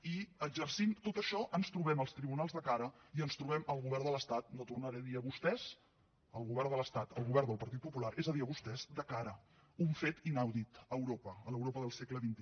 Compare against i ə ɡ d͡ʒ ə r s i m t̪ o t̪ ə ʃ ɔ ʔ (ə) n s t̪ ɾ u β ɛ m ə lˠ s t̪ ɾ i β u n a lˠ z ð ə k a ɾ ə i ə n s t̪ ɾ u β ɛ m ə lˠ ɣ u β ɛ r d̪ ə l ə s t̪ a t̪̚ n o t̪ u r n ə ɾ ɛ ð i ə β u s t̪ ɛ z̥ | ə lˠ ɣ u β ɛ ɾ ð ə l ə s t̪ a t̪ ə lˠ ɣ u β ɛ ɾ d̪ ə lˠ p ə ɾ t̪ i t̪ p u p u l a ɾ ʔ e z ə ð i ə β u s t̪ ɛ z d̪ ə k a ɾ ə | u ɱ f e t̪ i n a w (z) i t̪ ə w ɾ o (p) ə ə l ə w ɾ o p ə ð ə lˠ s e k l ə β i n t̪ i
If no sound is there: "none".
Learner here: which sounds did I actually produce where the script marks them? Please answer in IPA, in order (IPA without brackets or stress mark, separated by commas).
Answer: ə, ð, p